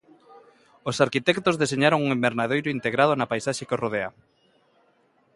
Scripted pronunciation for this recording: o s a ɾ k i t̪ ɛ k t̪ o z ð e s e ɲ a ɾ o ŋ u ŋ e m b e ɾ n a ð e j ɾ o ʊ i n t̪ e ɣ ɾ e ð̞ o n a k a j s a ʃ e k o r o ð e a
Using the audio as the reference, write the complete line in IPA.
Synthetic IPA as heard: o s a ɾ k i t̪ ɛ k t̪ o z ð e s e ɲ a ɾ o ŋ u ŋ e m b e ɾ n a ð e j ɾ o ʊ i n t̪ e ɣ ɾ a ð̞ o n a p a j s a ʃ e k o r o ð e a